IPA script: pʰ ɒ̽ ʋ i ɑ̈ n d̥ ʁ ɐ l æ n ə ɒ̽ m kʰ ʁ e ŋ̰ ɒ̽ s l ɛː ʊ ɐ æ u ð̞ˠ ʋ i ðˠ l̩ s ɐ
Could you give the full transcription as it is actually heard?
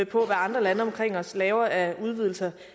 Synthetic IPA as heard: pʰ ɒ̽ ʋ æ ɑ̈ n d̥ ʁ ɐ l æ n ə ɒ̽ m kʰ ʁ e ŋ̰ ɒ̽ s l ɛː ʊ ɐ æ u ð̞ˠ ʋ i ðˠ l̩ s ɐ